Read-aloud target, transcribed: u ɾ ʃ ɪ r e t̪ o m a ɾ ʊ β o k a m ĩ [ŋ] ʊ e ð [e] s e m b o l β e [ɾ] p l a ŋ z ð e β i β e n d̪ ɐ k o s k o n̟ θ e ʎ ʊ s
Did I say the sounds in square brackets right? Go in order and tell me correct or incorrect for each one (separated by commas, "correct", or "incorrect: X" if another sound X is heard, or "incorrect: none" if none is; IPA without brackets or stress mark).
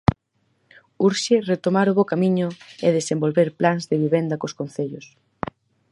incorrect: ɲ, correct, correct